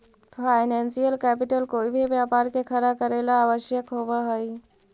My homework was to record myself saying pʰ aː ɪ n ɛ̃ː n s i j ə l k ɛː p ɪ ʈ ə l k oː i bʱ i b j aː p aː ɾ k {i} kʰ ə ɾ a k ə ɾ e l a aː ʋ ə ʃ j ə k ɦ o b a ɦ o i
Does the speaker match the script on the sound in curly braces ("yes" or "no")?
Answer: no